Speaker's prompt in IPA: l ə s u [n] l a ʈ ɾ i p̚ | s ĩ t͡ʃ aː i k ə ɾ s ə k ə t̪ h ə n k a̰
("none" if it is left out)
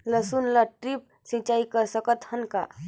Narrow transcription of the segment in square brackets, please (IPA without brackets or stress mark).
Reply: n